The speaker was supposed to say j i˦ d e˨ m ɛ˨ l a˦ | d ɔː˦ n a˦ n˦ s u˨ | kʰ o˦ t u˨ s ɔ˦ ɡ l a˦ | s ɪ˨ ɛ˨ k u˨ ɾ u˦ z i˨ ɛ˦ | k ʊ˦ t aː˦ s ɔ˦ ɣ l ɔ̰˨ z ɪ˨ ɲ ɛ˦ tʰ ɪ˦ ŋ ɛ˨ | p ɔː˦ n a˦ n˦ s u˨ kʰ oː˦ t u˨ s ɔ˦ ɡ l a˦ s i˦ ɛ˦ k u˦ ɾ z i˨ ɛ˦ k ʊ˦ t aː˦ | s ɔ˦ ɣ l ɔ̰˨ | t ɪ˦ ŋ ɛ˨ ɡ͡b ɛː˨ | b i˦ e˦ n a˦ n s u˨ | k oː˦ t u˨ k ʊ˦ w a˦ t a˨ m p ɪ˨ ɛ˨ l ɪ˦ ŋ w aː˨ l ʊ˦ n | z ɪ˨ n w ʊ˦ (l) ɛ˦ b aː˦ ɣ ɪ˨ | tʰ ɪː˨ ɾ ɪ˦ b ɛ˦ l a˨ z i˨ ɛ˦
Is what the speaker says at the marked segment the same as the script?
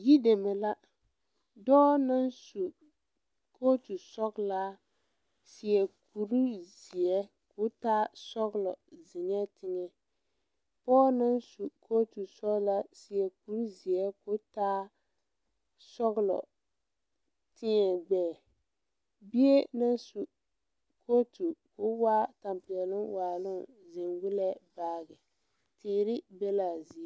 yes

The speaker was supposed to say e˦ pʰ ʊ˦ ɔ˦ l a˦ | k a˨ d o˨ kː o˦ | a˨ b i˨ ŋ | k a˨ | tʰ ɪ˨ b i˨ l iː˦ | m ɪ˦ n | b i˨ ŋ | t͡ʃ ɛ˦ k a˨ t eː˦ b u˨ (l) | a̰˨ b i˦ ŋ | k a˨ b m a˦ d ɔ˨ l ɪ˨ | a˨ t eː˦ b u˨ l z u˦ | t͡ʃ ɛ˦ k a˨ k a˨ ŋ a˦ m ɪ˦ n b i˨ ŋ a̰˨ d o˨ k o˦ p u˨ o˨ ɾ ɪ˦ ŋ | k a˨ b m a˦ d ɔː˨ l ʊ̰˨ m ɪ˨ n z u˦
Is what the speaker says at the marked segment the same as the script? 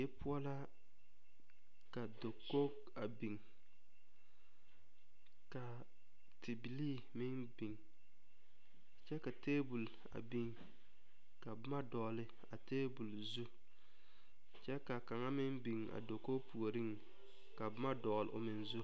yes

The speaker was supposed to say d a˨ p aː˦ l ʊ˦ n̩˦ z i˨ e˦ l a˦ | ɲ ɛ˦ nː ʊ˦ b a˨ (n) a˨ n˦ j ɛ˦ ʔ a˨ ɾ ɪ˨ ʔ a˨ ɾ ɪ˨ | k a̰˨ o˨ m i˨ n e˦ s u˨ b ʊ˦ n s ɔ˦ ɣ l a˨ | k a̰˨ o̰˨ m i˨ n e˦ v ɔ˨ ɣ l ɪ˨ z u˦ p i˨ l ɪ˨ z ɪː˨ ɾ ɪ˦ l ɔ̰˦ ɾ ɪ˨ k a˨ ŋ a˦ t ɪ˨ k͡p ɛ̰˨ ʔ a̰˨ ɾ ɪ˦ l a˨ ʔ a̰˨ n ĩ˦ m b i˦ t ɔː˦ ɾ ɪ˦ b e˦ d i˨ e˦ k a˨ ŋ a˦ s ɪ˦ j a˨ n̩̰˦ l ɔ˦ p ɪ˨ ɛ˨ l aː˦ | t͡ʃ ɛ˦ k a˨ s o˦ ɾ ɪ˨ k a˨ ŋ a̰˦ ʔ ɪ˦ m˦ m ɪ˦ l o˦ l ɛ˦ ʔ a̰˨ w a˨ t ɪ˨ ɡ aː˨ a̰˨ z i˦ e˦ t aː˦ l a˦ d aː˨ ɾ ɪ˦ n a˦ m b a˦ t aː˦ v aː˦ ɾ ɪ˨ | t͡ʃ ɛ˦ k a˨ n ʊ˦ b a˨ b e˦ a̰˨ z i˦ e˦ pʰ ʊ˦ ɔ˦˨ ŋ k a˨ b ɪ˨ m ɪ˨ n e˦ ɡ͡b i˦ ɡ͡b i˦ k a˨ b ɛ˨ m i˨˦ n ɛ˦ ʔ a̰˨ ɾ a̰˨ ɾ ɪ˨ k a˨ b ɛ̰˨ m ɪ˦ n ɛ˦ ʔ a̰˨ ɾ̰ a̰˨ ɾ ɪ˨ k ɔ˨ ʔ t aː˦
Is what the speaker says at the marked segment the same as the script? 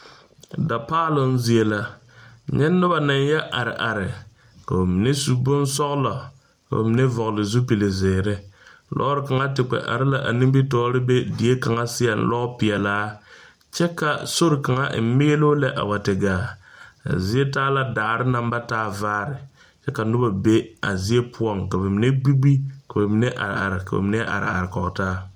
yes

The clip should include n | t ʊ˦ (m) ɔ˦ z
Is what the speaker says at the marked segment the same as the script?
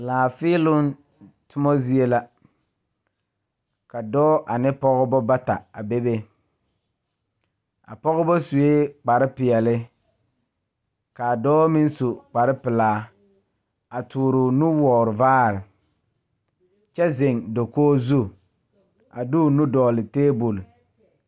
yes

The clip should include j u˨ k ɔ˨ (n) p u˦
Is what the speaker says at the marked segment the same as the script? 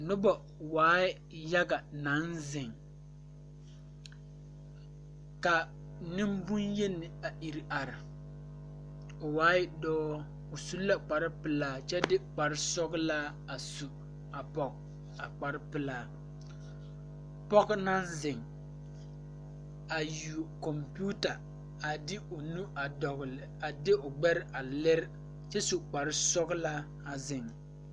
no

